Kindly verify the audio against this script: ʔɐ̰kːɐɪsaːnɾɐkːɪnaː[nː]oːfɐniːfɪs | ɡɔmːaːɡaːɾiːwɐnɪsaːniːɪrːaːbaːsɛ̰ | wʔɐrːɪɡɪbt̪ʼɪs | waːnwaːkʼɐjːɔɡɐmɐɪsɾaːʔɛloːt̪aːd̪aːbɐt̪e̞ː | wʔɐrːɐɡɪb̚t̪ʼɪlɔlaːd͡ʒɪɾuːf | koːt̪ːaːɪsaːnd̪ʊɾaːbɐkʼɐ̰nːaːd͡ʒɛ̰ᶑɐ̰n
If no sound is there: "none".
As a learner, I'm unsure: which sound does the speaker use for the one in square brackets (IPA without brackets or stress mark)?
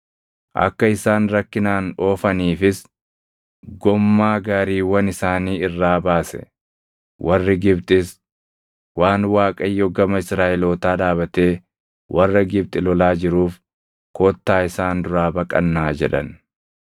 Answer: n